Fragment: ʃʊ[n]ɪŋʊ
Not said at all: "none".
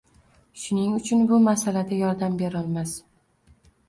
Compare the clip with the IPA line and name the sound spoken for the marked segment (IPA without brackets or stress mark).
n